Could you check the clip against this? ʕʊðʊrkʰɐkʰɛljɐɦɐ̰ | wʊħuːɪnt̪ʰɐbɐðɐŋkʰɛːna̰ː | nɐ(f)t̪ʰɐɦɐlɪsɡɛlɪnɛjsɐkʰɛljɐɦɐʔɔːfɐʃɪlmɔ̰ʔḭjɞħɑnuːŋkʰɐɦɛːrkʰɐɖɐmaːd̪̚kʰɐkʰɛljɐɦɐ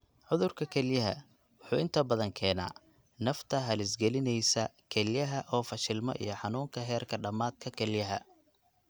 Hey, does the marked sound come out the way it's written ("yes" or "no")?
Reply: yes